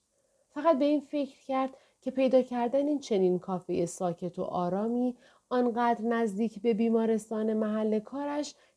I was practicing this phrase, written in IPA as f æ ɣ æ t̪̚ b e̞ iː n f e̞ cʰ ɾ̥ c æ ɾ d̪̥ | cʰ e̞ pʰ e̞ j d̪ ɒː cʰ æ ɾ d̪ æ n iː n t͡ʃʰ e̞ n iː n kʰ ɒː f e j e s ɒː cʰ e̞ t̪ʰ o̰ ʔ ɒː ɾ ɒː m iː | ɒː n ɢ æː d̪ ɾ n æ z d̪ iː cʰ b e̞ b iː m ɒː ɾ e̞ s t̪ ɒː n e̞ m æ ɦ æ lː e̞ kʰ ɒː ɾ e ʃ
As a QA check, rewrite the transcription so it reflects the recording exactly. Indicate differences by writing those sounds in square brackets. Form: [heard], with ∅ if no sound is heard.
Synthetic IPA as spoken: f æ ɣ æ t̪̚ b e̞ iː n f e̞ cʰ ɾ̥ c æ ɾ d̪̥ | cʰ e̞ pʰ e̞ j d̪ ɒː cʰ æ ɾ d̪ æ n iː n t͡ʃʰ e̞ n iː n kʰ ɒː f e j e s ɒː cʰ e̞ t̪ʰ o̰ ʔ ɒː ɾ ɒː m iː | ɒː n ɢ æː d̪ ɾ n æ z d̪ iː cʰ b e̞ b iː m ɒː ɾ e̞ s t̪ ɒː n e̞ m æ ɦ æ lː e̞ kʰ ɒː ɾ [æ] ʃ